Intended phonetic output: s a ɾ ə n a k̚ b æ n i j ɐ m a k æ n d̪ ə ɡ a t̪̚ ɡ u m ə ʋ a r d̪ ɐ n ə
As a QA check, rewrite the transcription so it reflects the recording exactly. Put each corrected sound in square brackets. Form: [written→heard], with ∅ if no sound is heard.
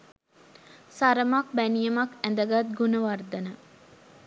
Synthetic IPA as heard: s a ɾ ə [n→m] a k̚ b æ n i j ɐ m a k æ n d̪ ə ɡ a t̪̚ ɡ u [m→n] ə ʋ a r d̪ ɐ n ə